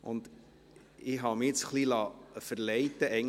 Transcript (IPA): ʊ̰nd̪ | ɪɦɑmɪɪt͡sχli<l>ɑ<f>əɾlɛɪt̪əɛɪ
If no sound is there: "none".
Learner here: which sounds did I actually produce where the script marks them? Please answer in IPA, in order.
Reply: l, f

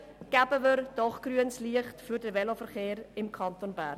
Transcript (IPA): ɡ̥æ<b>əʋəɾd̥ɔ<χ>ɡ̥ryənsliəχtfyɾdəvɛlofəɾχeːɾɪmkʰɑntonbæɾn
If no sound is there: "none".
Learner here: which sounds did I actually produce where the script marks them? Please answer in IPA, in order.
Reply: b, χ

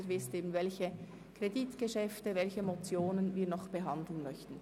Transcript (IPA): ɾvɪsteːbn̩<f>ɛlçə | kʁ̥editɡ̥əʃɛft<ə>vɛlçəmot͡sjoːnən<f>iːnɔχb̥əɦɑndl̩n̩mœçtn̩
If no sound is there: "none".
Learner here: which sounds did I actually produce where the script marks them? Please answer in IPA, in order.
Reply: v, ə, v

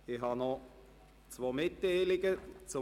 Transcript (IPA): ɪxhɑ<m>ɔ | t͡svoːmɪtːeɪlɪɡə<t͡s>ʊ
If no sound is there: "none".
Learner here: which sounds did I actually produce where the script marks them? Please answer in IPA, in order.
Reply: n, t͡s

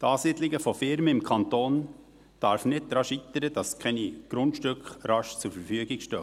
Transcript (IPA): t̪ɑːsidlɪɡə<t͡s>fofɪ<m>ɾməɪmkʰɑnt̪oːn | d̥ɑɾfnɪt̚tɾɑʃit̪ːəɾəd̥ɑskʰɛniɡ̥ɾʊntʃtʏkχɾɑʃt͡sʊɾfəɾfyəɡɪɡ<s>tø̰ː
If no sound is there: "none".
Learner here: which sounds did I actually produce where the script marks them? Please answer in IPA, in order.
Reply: none, none, ʃ

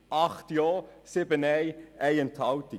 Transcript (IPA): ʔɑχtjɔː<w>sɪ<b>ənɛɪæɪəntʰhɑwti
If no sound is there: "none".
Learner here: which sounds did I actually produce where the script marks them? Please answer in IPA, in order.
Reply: none, b

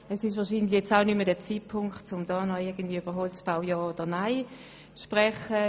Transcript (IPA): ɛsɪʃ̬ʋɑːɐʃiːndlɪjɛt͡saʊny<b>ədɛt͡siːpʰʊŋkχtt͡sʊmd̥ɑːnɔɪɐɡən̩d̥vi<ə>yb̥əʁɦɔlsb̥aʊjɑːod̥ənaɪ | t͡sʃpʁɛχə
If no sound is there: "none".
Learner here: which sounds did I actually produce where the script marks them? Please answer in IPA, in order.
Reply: m, ə

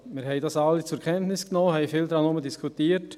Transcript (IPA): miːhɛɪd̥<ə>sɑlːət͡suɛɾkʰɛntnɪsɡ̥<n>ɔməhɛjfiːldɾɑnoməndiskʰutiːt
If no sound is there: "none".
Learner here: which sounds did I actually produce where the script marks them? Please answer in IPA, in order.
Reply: ɑ, n

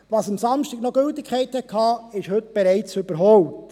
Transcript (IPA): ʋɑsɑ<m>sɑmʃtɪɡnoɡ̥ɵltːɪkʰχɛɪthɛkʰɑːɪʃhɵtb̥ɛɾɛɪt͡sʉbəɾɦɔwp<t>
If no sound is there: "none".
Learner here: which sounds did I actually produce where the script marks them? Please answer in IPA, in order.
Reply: m, t

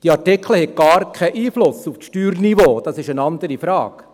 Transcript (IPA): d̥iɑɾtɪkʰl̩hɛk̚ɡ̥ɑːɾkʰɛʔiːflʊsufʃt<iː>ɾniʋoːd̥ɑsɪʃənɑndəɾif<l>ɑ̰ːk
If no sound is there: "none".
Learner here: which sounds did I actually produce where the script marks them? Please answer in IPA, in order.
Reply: yː, ɾ

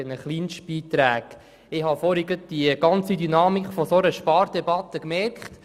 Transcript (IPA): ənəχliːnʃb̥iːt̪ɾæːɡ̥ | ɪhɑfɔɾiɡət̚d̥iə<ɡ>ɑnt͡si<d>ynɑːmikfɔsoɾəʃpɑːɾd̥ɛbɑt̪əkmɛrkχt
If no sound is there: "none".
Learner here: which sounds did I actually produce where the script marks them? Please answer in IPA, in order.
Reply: ɡ, d

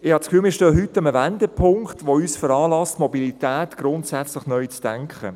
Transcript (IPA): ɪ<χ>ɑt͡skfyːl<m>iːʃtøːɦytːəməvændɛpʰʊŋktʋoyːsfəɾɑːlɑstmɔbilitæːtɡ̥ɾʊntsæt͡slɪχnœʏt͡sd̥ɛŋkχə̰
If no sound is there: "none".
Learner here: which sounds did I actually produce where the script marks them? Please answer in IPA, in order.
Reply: h, m

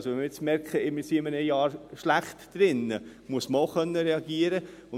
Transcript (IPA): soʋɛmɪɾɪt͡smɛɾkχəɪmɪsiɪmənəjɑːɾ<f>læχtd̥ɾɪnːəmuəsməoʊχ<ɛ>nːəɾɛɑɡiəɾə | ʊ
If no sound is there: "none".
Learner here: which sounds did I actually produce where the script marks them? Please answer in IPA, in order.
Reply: ʃ, œ

